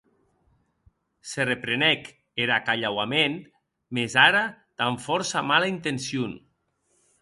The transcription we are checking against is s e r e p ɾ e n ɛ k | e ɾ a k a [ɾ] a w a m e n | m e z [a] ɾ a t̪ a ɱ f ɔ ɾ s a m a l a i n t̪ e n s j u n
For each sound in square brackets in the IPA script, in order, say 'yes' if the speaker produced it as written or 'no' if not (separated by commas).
no, yes